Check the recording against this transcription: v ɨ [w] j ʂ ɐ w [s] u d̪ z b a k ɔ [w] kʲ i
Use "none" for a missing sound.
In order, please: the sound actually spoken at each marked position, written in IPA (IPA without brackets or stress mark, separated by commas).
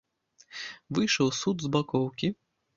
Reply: none, s, w